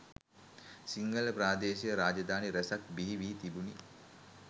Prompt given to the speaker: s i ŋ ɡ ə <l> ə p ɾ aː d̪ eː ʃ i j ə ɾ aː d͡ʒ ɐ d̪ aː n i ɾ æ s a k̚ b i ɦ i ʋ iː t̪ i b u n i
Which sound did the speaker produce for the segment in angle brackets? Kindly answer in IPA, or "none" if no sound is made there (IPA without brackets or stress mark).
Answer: l